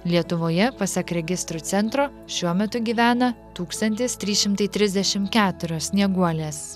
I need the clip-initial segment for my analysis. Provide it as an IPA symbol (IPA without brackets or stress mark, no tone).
lʲ